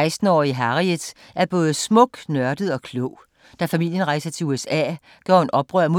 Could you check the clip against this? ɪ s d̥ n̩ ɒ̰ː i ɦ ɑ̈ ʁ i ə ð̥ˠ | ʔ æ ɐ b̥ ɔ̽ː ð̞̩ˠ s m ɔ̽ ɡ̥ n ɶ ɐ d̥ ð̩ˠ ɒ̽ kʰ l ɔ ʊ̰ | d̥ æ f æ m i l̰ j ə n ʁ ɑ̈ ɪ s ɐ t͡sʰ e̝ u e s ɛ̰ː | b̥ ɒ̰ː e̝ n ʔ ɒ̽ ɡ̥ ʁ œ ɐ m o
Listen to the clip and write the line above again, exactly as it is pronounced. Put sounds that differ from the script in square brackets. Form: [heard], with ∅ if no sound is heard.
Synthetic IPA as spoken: ɪ s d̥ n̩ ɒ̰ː i ɦ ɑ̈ ʁ i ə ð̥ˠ | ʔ æ ɐ b̥ ɔ̽ː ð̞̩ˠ s m ɔ̽ ɡ̥ n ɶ ɐ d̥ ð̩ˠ ɒ̽ kʰ l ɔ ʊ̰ | d̥ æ f æ m i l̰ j ə n ʁ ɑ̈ ɪ s ɐ t͡sʰ e̝ u e s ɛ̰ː | [ɡ̥] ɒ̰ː e̝ n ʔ ɒ̽ [b̥] ʁ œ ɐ m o